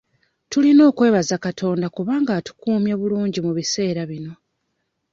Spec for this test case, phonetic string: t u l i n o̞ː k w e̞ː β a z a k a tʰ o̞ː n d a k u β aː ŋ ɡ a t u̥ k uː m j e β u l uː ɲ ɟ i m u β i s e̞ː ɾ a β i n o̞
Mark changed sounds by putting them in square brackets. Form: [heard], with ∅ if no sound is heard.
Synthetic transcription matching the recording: t u l i n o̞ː k w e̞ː β a z a k a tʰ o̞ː n d a k u β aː ŋ ɡ a t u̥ k uː m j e β u l uː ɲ ɟ i m u β i s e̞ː ɾ a β i n o̞